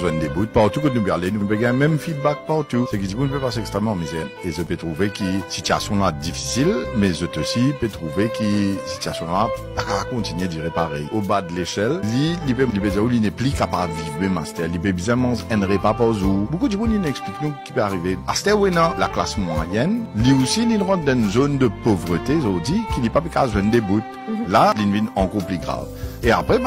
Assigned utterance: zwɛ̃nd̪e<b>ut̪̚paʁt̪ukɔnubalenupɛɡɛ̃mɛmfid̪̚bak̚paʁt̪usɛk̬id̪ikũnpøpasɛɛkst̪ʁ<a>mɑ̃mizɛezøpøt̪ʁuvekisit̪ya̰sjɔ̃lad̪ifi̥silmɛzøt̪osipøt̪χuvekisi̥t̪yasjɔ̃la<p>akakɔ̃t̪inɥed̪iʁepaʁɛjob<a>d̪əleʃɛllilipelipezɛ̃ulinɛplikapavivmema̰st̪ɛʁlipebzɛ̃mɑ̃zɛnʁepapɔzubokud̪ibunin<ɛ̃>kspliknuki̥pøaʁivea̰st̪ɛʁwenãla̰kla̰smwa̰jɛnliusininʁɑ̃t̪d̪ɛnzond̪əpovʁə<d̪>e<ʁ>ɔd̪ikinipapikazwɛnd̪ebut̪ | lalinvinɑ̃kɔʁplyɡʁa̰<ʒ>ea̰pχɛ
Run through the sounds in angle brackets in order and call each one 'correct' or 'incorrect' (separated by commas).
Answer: correct, incorrect, correct, correct, incorrect, incorrect, incorrect, incorrect